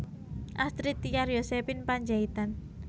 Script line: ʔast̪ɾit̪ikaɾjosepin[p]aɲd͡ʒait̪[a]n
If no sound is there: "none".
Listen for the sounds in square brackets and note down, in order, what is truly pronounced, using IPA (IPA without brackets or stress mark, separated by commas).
p, a